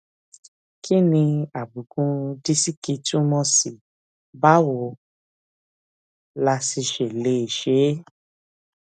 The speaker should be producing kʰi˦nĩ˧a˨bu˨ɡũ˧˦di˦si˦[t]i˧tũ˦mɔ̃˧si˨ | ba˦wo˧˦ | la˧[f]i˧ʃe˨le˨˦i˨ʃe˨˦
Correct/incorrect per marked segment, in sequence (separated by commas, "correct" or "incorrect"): incorrect, incorrect